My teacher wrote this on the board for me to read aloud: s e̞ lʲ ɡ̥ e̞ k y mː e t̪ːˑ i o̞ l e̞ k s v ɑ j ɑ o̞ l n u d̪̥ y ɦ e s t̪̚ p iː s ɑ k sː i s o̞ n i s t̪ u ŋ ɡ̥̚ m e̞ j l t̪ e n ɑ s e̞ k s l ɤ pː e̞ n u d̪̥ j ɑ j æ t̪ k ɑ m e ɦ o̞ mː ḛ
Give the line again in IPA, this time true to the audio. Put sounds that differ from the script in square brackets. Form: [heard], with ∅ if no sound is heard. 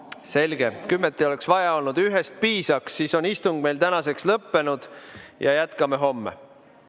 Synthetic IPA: s e̞ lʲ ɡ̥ e̞ k y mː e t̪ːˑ i o̞ l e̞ k s v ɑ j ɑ o̞ l n u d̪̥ y ɦ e s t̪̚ p iː s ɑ k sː i s o̞ n i s t̪ u ŋ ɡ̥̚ m e̞ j l t̪ [æ] n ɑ s e̞ k s l ɤ pː e̞ n u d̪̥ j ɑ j æ t̪ k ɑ m e ɦ o̞ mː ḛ

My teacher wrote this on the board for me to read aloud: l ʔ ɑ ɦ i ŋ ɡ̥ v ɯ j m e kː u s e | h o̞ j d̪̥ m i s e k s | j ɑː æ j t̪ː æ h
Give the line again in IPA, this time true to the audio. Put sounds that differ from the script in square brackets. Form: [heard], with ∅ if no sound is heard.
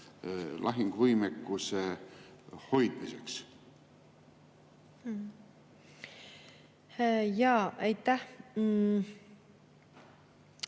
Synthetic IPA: l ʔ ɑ ɦ i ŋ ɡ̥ v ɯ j m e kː u s e | h o̞ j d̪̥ m i s e k s | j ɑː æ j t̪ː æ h

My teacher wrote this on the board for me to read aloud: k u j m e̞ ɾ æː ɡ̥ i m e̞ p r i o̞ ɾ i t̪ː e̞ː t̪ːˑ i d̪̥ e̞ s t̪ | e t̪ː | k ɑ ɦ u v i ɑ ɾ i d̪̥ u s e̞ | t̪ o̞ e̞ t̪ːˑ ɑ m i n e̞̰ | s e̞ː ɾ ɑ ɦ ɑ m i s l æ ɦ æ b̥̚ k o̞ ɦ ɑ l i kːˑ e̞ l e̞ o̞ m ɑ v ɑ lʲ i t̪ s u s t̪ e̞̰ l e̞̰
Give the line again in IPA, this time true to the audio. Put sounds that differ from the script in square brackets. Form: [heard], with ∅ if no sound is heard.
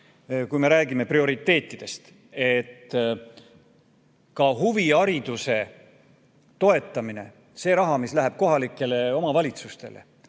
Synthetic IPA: k u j m e̞ ɾ æː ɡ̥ i m e̞ p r i o̞ ɾ i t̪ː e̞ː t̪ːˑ i d̪̥ e̞ s t̪ | e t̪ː | k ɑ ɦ u v i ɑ ɾ i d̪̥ u s e̞ | t̪ o̞ e̞ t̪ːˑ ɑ m i n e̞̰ | s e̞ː ɾ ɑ ɦ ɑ m i s l æ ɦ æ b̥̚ k o̞ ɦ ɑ l i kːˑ e̞ l e̞ o̞ m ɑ v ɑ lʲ i t̪ s u s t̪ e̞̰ l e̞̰

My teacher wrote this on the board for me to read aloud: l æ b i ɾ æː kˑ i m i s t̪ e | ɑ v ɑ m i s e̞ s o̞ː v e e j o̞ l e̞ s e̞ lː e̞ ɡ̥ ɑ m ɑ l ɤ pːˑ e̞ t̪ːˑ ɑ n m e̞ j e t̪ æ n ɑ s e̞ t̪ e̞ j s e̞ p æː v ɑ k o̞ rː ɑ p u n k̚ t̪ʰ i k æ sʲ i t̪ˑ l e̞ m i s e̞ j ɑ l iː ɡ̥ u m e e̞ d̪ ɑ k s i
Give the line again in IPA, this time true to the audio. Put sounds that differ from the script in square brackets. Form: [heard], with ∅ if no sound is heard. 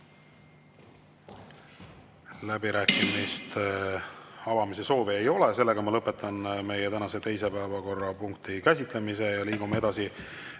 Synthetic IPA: l æ b i ɾ æː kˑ i m i s t̪ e | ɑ v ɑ m i s e̞ s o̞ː v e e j o̞ l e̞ s e̞ lː e̞ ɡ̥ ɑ m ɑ l ɤ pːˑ e̞ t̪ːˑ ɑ n m e̞ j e t̪ æ n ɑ s e̞ t̪ e̞ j s e̞ p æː v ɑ k o̞ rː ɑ p u [ŋ] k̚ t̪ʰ i k æ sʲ i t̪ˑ l e̞ m i s e̞ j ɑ l iː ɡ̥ u m e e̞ d̪ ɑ [∅] s i

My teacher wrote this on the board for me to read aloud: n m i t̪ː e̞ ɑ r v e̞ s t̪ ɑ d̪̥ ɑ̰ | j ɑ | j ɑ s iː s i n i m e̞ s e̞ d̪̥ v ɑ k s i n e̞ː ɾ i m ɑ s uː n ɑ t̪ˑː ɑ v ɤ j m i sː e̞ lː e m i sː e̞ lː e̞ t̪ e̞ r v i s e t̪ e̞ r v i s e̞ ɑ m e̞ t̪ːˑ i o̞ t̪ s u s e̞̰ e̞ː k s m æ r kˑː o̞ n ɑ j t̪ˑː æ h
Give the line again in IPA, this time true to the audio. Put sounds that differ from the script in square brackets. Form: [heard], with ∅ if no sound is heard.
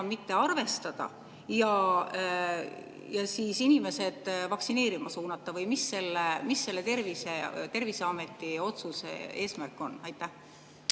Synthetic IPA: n m i t̪ː e̞ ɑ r v e̞ s t̪ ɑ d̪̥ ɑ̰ | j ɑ | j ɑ s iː s i n i m e̞ s e̞ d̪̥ v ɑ k s i n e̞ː ɾ i m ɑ s uː n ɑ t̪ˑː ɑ v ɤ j m i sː e̞ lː e m i sː e̞ lː e̞ t̪ e̞ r v i s e t̪ e̞ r v i s e̞ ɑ m e̞ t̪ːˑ i o̞ t̪ s u s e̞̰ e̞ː [∅] s m æ r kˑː o̞ n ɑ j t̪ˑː æ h

